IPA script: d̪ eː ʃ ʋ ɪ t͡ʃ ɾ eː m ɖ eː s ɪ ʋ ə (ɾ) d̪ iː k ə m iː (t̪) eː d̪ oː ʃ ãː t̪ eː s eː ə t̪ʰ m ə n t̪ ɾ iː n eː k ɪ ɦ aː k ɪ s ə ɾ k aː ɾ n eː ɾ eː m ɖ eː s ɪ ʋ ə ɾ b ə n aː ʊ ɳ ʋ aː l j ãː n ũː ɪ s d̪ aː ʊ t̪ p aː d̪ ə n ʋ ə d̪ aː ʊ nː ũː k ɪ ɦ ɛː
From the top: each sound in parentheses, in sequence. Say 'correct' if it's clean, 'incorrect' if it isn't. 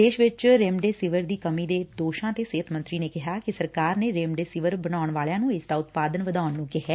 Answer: correct, incorrect

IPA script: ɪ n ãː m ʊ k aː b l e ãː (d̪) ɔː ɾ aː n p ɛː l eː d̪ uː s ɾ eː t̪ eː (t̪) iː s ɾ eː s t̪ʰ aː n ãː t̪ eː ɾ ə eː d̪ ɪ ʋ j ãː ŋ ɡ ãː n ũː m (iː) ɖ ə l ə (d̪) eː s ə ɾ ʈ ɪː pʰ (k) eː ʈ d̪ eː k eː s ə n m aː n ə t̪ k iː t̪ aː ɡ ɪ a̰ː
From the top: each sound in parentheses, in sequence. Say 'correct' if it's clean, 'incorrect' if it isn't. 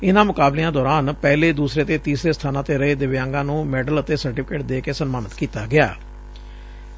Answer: correct, correct, incorrect, incorrect, correct

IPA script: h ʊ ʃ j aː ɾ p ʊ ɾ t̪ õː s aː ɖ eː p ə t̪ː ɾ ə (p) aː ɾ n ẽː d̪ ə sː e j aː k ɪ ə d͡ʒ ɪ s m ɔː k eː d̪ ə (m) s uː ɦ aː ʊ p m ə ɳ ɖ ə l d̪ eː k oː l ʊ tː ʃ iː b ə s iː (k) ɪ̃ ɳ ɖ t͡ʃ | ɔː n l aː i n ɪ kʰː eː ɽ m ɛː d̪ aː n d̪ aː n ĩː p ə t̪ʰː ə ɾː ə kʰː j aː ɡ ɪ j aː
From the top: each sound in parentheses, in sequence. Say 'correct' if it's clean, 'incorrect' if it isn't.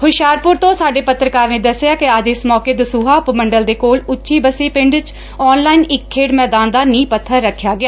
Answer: incorrect, incorrect, incorrect

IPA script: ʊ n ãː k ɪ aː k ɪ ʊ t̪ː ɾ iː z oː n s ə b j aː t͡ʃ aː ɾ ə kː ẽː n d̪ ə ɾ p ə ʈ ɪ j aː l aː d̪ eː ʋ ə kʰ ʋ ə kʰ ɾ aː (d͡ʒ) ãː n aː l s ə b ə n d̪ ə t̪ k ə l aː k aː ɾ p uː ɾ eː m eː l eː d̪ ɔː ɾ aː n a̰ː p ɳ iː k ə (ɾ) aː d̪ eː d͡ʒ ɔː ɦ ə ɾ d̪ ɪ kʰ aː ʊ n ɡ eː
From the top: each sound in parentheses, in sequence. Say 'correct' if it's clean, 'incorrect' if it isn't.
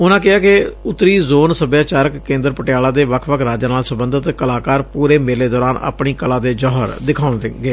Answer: correct, incorrect

